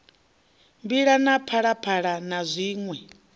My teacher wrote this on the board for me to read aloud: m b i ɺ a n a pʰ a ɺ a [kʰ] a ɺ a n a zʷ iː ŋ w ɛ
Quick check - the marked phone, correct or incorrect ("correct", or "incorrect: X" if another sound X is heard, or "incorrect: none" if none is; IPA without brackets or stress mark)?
incorrect: pʰ